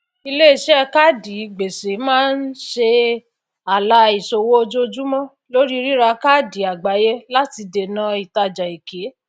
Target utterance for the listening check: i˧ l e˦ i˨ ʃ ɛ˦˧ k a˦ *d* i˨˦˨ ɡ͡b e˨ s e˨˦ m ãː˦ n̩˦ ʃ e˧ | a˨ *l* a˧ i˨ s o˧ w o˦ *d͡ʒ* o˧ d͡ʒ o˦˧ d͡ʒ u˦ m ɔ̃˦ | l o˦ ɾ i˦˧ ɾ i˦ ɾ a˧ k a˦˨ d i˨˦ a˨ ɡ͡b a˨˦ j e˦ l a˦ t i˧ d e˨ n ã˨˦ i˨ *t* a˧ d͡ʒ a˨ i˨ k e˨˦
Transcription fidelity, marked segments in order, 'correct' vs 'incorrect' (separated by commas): correct, correct, incorrect, correct